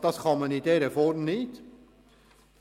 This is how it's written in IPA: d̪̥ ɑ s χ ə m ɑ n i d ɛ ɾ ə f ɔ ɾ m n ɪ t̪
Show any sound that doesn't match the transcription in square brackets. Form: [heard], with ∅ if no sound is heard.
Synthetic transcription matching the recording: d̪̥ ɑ s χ [ɑ] m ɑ n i d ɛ ɾ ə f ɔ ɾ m n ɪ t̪